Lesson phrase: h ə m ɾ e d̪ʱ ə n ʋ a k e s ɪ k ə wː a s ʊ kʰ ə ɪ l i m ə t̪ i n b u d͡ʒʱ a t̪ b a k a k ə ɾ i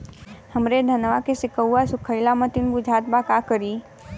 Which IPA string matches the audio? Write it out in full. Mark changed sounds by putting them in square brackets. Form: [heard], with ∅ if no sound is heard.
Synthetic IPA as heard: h ə m ɾ e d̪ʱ ə n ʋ a k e s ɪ k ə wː a s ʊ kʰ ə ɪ l [a] m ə t̪ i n b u d͡ʒʱ a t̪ b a k a k ə ɾ i